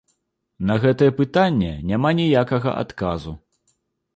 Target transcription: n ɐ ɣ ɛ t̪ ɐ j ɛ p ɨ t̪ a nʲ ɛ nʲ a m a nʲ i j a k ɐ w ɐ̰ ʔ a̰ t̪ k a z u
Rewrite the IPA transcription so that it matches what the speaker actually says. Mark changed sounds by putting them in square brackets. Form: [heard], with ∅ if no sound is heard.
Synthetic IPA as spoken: n ɐ ɣ ɛ t̪ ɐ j ɛ p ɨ t̪ a [nʲː] ɛ nʲ a m a nʲ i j a k ɐ [ɣ] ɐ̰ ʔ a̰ t̪ k a z u